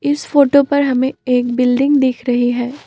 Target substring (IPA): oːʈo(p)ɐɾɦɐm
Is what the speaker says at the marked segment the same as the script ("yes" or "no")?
yes